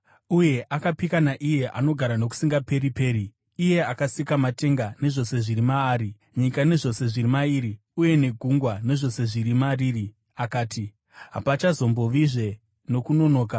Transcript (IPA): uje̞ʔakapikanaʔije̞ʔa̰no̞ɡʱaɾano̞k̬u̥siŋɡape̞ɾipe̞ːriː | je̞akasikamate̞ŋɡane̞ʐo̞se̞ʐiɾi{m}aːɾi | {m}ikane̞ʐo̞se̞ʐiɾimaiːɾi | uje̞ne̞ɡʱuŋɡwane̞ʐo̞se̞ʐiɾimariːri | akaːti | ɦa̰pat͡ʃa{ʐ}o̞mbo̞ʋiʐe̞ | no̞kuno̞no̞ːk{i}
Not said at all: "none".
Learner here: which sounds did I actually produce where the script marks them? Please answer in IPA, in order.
m, ɲ, z, a

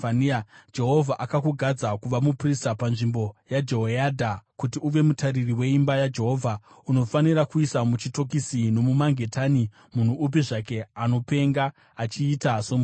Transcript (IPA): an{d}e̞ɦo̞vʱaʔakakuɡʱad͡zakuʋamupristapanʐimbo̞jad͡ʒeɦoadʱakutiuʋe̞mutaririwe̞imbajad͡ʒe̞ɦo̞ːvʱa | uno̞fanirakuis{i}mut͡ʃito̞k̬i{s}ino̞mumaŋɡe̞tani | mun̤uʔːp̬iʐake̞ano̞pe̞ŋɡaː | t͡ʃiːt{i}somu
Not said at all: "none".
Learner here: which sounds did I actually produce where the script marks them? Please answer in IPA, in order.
d͡ʒ, a, s, a

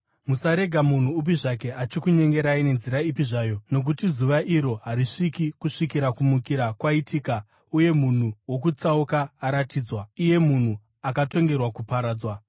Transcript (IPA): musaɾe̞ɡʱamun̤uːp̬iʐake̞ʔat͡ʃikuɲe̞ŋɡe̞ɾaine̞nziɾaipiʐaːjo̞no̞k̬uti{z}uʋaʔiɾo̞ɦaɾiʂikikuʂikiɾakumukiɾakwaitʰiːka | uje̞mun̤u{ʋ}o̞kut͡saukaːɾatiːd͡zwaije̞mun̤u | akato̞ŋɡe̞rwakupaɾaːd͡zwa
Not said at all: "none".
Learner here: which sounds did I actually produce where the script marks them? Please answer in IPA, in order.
z, w

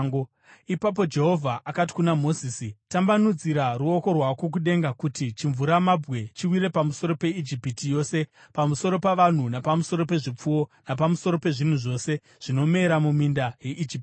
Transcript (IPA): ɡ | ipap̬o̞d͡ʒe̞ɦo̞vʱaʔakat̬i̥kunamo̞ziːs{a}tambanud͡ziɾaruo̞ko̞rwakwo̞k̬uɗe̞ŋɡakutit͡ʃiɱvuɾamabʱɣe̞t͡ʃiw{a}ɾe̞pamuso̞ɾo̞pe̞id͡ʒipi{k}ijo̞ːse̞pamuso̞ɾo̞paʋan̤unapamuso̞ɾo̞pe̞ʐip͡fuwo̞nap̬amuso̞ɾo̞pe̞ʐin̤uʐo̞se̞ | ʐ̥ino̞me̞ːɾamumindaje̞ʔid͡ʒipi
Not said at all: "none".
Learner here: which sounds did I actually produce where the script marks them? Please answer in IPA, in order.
i, i, t

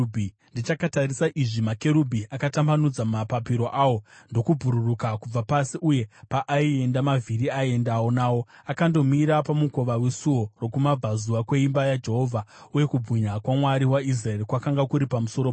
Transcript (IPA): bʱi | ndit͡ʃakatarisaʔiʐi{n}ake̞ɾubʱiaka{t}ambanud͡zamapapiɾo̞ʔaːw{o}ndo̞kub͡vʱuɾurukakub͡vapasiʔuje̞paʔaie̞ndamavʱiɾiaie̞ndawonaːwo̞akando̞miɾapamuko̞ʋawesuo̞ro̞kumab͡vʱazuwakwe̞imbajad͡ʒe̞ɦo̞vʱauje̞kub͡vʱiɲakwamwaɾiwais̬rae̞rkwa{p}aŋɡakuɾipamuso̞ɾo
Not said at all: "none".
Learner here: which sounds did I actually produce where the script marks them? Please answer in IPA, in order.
m, t, o, k

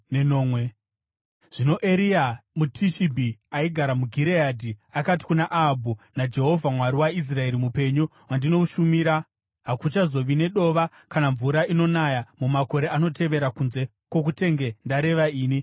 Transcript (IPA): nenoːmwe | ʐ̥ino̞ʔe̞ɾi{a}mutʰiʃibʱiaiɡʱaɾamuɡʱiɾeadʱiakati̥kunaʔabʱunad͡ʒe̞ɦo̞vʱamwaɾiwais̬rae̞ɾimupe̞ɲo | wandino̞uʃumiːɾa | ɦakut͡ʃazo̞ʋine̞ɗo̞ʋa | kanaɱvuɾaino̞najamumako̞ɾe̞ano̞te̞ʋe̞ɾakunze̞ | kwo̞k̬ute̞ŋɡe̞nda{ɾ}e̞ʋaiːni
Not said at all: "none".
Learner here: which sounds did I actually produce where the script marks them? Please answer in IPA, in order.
a, ɾ

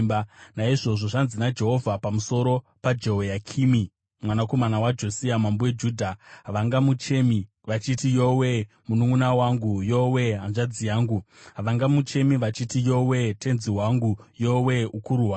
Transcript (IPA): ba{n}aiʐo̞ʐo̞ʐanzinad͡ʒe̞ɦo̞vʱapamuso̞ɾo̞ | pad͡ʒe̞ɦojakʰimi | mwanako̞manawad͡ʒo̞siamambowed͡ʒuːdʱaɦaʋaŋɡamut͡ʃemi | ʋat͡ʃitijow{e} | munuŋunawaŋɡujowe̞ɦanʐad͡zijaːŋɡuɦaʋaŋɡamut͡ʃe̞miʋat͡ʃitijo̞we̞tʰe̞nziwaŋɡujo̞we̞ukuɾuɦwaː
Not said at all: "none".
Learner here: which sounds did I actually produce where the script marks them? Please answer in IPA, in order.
n, e

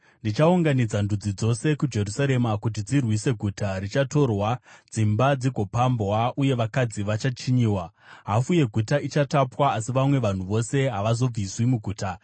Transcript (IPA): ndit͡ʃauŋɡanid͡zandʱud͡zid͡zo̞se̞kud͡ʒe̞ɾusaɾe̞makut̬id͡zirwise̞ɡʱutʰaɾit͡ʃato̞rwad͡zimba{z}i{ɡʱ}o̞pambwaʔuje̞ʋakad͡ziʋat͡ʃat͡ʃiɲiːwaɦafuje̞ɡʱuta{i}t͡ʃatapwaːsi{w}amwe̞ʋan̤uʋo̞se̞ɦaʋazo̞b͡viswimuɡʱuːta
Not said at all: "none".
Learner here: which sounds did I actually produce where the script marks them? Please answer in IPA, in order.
d͡z, ɡʱ, i, ʋ

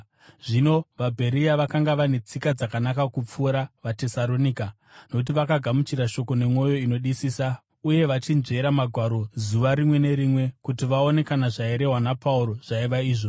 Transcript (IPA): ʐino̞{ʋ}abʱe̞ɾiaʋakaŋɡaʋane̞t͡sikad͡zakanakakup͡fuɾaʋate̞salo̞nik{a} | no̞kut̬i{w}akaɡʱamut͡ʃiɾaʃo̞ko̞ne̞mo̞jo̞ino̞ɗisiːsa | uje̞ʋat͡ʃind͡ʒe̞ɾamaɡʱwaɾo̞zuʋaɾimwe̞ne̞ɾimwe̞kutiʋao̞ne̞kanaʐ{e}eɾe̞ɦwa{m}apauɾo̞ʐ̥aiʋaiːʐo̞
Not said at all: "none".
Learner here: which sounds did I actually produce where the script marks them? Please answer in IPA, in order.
ʋ, a, ʋ, a, n

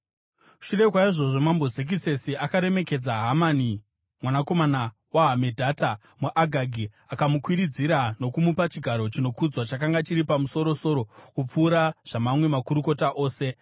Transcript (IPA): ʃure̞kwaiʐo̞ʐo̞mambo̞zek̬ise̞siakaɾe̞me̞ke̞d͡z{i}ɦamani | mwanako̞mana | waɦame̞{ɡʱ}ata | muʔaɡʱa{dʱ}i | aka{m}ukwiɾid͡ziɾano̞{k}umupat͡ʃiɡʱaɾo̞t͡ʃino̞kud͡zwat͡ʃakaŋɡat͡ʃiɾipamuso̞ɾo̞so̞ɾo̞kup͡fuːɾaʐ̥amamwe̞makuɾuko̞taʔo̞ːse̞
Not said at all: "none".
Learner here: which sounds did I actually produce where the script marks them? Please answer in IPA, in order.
a, dʱ, ɡʱ, m, k

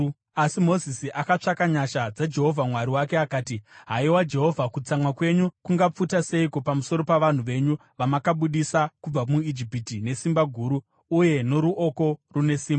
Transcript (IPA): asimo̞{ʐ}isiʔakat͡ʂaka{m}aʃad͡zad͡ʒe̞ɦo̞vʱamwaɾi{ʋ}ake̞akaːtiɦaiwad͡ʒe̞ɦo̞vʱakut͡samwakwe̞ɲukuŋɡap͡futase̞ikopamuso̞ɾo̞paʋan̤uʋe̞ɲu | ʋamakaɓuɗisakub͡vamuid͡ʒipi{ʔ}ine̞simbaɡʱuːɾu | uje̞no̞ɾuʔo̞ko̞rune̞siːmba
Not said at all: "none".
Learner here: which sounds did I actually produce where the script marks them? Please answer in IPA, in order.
z, ɲ, w, t

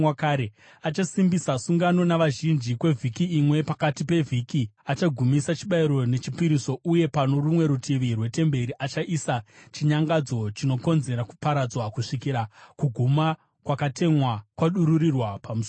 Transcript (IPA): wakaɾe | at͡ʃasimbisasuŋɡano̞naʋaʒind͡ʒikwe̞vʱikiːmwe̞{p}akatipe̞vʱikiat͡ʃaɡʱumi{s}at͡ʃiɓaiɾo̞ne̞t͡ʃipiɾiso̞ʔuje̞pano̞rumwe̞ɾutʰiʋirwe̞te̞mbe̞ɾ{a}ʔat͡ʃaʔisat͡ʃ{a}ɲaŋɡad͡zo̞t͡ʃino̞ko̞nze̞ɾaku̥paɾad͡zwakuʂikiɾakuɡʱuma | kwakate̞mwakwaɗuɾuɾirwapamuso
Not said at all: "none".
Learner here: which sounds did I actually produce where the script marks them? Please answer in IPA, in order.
p, s, i, i

